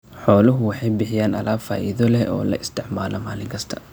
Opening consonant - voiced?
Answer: no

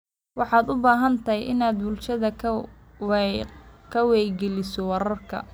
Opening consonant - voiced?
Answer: yes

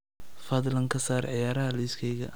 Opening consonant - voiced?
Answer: no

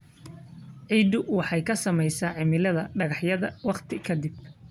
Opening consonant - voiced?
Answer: yes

